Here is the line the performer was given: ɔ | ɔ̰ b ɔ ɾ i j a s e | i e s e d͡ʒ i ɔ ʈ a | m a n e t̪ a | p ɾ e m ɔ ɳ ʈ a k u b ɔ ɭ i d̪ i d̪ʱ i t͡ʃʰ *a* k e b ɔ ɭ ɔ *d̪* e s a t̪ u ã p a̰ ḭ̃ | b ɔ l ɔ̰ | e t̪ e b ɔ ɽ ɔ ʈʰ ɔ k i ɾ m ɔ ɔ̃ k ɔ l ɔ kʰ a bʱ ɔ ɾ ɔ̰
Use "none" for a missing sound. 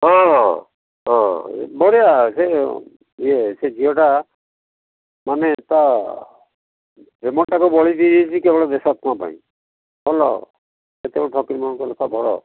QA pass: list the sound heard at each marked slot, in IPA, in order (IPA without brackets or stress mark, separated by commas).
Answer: i, d̪